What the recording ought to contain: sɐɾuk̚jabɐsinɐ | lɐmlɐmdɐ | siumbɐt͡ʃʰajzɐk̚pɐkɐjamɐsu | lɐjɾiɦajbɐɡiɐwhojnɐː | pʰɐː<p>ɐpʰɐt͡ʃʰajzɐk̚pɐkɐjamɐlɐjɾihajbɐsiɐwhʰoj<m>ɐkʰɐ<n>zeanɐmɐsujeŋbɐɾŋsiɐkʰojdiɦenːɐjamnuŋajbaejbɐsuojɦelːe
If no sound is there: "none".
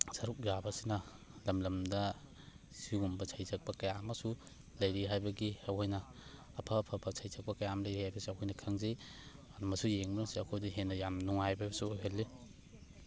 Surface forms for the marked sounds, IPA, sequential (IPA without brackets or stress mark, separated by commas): pʰ, n, ŋ